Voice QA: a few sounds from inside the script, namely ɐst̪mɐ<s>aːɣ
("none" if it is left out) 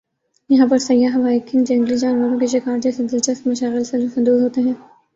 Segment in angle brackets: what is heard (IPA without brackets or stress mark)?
ʃ